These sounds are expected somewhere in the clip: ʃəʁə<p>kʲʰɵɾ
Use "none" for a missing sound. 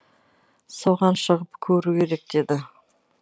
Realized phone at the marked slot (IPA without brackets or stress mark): p